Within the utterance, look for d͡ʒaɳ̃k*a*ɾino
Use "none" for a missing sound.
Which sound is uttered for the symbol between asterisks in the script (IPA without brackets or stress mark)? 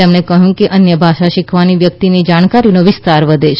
a